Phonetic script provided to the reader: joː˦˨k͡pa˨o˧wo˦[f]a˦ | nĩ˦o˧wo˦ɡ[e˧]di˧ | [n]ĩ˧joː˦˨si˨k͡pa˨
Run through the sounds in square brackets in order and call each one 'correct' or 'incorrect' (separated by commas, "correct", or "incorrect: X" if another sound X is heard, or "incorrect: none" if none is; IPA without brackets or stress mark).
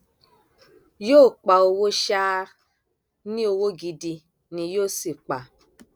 incorrect: ʃ, incorrect: i˧, correct